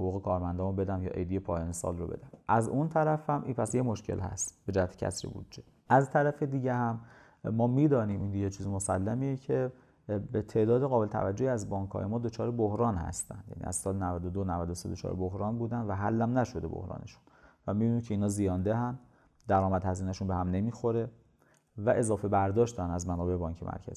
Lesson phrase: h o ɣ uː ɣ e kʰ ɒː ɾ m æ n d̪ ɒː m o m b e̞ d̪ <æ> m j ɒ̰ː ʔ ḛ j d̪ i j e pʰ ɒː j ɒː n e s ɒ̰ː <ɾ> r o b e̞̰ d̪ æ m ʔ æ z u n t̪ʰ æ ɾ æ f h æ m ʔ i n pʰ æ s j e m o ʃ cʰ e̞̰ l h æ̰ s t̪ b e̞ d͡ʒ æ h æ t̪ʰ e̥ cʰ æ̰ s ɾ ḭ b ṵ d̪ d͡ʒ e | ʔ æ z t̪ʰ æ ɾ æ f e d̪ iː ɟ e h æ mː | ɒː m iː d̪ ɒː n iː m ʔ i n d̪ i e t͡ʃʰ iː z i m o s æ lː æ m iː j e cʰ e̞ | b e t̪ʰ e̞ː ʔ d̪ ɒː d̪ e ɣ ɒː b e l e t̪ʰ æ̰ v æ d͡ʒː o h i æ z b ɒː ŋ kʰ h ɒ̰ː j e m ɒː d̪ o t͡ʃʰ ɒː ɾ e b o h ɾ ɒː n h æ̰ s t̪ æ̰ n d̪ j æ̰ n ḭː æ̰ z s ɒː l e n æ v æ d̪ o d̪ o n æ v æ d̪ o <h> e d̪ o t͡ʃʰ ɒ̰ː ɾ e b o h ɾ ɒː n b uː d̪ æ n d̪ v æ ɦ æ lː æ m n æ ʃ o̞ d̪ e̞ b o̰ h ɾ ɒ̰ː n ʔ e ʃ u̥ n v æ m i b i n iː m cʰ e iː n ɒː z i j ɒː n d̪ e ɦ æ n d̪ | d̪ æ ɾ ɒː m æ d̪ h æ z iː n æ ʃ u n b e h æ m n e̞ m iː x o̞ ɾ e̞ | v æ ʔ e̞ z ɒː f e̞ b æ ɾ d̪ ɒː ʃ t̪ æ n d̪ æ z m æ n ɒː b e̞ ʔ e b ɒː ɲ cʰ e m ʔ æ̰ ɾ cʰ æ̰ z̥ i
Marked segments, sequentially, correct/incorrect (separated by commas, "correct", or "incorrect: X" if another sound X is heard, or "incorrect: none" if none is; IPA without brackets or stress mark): correct, incorrect: l, incorrect: s